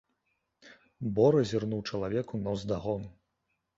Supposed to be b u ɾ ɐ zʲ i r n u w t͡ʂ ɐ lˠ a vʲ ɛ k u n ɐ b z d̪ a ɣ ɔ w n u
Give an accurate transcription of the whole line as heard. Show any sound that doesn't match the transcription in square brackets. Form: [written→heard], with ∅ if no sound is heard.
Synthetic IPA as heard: b [u→ɔ] ɾ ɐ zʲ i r n u w t͡ʂ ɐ lˠ a vʲ ɛ k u n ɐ [b→w] z d̪ a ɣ ɔ [w→∅] n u